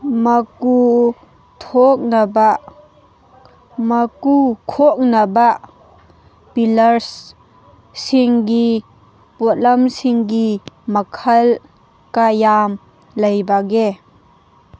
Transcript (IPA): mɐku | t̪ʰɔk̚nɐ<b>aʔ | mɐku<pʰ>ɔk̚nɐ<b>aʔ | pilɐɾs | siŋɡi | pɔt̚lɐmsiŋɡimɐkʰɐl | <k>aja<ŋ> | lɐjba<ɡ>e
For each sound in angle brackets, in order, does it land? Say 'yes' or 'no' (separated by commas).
yes, no, yes, yes, no, yes